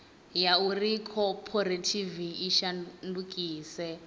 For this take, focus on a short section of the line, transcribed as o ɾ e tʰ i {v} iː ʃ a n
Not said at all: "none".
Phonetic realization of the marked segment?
v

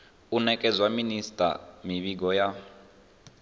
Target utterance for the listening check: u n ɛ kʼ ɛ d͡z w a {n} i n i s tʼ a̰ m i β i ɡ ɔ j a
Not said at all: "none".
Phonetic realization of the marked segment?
m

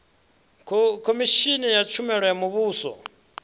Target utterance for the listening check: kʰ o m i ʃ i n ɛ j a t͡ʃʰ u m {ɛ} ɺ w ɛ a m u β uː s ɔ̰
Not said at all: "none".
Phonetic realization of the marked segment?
ɛ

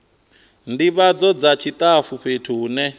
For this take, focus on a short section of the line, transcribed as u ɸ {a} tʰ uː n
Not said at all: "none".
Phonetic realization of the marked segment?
e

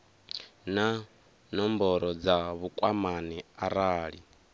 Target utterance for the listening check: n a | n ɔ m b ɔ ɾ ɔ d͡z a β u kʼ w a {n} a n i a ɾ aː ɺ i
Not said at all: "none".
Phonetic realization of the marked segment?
m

